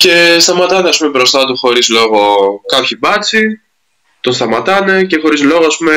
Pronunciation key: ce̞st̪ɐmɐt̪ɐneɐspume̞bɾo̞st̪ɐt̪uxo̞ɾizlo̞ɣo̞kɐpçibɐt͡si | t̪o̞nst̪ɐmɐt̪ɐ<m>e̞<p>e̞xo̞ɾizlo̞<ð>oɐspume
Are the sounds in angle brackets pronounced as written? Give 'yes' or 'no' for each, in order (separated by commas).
no, no, no